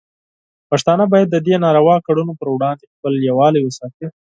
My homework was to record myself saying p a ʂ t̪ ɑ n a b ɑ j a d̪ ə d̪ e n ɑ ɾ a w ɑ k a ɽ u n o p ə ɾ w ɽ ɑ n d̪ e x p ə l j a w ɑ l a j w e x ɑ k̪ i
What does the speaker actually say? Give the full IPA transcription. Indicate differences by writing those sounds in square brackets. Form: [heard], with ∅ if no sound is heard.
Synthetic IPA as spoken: p a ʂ t̪ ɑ n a b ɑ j a [d̪ː] ə d̪ e n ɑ ɾ a w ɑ k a ɽ u n o p ə ɾ w ɽ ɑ n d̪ e x p ə l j a w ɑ l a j w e [s] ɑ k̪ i